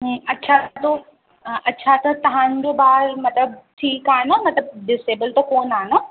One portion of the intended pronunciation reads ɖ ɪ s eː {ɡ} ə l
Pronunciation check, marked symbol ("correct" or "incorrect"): incorrect